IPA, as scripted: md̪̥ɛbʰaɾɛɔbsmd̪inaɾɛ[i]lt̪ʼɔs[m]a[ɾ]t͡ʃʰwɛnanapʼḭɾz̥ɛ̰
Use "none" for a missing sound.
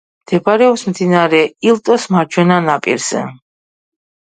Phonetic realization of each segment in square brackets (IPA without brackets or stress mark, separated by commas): i, m, ɾ